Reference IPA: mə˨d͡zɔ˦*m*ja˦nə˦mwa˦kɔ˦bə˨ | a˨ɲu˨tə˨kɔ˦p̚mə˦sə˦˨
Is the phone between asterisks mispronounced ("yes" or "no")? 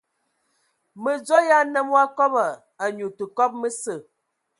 yes